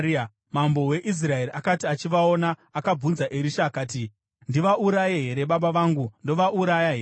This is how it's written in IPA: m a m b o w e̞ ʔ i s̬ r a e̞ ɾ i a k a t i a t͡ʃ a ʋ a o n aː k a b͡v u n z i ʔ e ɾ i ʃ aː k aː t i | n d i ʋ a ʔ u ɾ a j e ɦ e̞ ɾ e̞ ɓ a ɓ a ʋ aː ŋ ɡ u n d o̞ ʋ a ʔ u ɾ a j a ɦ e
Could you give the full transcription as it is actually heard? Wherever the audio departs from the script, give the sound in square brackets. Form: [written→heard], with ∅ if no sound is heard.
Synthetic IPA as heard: m a m b o w e̞ ʔ i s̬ r a e̞ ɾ i a k a t i a t͡ʃ [a→i] ʋ a o n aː k a b͡v u n z [i→a] ʔ e ɾ i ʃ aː k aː t i | n d i ʋ a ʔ u ɾ a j e ɦ e̞ ɾ e̞ ɓ a ɓ a ʋ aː ŋ ɡ u n d o̞ ʋ a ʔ u ɾ a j a ɦ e